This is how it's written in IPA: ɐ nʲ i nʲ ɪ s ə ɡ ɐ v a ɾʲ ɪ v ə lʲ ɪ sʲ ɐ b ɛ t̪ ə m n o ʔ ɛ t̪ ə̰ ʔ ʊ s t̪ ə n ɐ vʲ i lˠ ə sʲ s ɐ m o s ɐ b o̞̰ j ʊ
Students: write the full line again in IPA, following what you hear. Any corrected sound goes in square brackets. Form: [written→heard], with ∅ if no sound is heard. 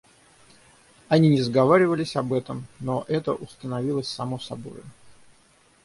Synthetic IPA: ɐ nʲ i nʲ ɪ [s→z] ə ɡ ɐ v a ɾʲ ɪ v ə lʲ ɪ sʲ ɐ b ɛ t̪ ə m n o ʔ ɛ t̪ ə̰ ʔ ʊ s t̪ ə n ɐ vʲ i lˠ ə sʲ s ɐ m o s ɐ b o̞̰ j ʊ

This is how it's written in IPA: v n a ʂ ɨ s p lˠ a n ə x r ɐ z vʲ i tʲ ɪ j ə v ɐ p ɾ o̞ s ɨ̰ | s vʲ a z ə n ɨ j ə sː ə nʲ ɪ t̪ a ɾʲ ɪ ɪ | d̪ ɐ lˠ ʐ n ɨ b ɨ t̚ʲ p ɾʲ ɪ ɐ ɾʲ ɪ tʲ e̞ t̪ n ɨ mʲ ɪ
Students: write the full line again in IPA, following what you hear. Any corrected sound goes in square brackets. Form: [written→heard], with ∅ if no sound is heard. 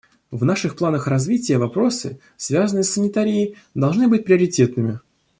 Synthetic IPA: v n a ʂ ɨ [s→x] p lˠ a n ə x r ɐ z vʲ i tʲ ɪ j ə v ɐ p ɾ o̞ s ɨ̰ | s vʲ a z ə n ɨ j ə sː ə nʲ ɪ t̪ a ɾʲ ɪ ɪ | d̪ ɐ lˠ ʐ n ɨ b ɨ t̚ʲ p ɾʲ ɪ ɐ ɾʲ ɪ tʲ e̞ t̪ n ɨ mʲ ɪ

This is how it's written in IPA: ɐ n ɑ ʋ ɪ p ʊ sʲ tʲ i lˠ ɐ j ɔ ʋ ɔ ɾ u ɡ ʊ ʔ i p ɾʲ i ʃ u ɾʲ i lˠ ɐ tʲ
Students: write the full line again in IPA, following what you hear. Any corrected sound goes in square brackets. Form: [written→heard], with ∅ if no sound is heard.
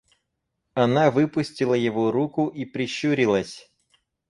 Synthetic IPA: ɐ n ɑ ʋ ɪ p ʊ sʲ tʲ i lˠ ɐ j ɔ ʋ ɔ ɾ u [ɡ→k] ʊ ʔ i p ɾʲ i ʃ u ɾʲ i lˠ ɐ [tʲ→sʲ]

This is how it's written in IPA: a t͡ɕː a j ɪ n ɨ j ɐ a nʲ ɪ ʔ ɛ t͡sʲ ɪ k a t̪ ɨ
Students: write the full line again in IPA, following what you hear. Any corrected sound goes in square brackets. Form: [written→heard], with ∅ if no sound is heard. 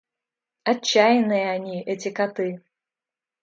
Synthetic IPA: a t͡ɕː a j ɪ n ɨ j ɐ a nʲ [ɪ→i] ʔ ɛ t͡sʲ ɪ k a t̪ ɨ

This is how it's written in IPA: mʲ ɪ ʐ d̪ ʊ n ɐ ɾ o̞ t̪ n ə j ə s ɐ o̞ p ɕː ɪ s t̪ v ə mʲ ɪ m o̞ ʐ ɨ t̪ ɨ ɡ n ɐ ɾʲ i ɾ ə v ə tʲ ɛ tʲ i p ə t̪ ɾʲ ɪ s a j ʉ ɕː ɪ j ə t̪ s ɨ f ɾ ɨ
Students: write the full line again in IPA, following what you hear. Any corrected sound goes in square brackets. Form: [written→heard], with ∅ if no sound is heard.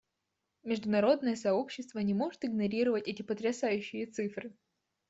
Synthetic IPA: mʲ ɪ ʐ d̪ ʊ n ɐ ɾ o̞ [t̪→d̪] n ə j ə s ɐ o̞ p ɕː ɪ s t̪ v ə [mʲ→nʲ] ɪ m o̞ ʐ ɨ t̪ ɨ ɡ n ɐ ɾʲ i ɾ ə v ə tʲ ɛ tʲ [i→ɪ] p ə t̪ ɾʲ ɪ s a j ʉ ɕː ɪ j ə t̪ s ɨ f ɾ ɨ

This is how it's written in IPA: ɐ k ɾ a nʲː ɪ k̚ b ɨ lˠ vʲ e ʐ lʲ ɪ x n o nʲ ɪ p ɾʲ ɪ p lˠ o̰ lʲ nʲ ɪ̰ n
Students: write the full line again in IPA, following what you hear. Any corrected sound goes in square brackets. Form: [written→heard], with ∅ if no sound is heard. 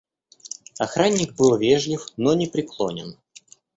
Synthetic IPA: ɐ [k→x] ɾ a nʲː ɪ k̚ b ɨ lˠ vʲ e ʐ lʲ ɪ [x→f] n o nʲ ɪ p ɾʲ ɪ [p→k] lˠ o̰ [lʲ→∅] nʲ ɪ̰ n

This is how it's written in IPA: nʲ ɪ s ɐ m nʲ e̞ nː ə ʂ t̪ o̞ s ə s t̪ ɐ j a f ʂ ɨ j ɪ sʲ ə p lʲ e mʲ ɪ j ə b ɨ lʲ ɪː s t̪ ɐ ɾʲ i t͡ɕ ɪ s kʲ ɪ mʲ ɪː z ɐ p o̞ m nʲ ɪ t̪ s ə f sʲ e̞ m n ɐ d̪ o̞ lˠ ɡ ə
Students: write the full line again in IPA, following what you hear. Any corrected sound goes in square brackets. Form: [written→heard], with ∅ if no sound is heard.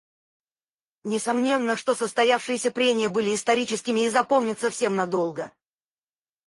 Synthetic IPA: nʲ ɪ s ɐ m nʲ e̞ nː ə ʂ t̪ o̞ s ə s t̪ ɐ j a f ʂ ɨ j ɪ sʲ ə p [lʲ→ɾʲ] e mʲ ɪ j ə b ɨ lʲ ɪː s t̪ ɐ ɾʲ i t͡ɕ ɪ s kʲ ɪ mʲ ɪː z ɐ p o̞ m nʲ ɪ t̪ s ə f sʲ e̞ m n ɐ d̪ o̞ lˠ ɡ ə

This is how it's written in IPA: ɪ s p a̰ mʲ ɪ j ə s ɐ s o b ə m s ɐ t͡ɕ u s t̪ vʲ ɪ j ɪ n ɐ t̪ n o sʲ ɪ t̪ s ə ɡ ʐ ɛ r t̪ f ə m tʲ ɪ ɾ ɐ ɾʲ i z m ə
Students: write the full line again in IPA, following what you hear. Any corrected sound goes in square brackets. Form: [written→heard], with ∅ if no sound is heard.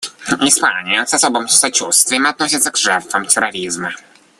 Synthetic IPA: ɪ s p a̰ [mʲ→nʲ] ɪ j ə s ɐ s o b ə m s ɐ t͡ɕ u s t̪ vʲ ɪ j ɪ [n→m] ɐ t̪ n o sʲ ɪ t̪ s ə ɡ ʐ ɛ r t̪ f ə m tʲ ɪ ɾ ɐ ɾʲ i z m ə

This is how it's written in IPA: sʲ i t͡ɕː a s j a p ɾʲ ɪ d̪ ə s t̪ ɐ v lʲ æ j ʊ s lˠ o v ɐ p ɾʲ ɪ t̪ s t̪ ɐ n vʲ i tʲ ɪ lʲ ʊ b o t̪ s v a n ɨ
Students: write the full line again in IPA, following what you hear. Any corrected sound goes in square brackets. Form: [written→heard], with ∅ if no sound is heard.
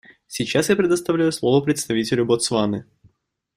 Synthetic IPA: sʲ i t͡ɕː a s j a p ɾʲ ɪ d̪ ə s t̪ ɐ v lʲ æ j ʊ s lˠ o v [ɐ→ə] p ɾʲ ɪ t̪ s t̪ ɐ [n→∅] vʲ i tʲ ɪ lʲ ʊ b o t̪ s v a n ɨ

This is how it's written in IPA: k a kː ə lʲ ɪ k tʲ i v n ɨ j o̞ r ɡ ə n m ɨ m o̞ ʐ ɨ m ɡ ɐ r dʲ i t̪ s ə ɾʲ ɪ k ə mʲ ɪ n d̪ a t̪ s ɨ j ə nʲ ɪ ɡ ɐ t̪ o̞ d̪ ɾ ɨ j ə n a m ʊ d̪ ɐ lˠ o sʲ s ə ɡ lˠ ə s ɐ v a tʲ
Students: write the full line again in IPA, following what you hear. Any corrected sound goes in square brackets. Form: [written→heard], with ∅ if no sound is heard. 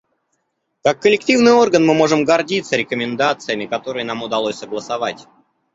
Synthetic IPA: k a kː ə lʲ ɪ k tʲ i v n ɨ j o̞ r ɡ ə n m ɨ m o̞ ʐ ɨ m ɡ ɐ r dʲ i t̪ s ə ɾʲ ɪ k ə mʲ ɪ n d̪ a t̪ s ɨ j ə [nʲ→mʲ] ɪ [ɡ→k] ɐ t̪ o̞ [d̪→∅] ɾ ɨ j ə n a m ʊ d̪ ɐ lˠ o sʲ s ə ɡ lˠ ə s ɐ v a tʲ

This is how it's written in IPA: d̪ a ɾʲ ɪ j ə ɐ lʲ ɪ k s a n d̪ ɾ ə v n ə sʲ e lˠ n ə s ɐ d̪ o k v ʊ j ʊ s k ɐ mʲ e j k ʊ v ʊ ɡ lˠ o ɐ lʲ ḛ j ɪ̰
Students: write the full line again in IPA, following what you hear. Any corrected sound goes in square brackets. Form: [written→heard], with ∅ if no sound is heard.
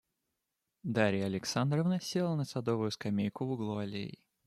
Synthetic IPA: d̪ a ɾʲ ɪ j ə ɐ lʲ ɪ k s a n d̪ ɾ ə v n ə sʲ e lˠ n ə s ɐ d̪ o [k→∅] v ʊ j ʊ s k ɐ mʲ e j k ʊ v ʊ ɡ lˠ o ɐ lʲ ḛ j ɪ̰

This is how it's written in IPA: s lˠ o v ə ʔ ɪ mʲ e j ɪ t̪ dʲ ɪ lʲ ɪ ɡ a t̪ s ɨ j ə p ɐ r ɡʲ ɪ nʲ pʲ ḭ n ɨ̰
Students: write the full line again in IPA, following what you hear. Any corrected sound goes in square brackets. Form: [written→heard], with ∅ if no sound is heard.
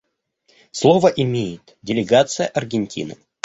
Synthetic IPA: s lˠ o v ə ʔ ɪ mʲ e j ɪ t̪ dʲ ɪ lʲ ɪ ɡ a t̪ s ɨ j ə [p→ʔ] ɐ r ɡʲ ɪ nʲ [pʲ→tʲ] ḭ n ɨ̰

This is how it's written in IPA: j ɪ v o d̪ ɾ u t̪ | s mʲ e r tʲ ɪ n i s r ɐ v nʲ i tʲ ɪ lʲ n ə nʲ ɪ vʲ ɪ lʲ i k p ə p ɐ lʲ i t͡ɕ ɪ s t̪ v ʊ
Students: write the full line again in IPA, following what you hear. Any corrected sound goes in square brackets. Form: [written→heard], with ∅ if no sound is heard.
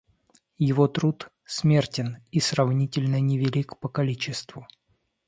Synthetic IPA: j ɪ v o [d̪→t̪] ɾ u t̪ | s mʲ e r tʲ ɪ n i s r ɐ v nʲ i tʲ ɪ lʲ n ə nʲ ɪ vʲ ɪ lʲ i k p ə [p→k] ɐ lʲ i t͡ɕ ɪ s t̪ v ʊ

